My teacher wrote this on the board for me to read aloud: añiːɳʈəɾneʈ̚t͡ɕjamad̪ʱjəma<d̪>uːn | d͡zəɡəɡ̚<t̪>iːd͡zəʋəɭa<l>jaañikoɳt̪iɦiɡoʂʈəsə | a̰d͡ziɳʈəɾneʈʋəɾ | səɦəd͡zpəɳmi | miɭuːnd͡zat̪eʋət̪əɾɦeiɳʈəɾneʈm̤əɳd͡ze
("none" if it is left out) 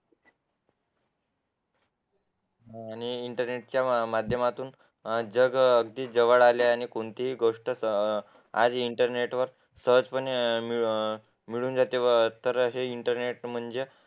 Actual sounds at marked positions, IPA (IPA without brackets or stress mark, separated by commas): t̪, d̪, l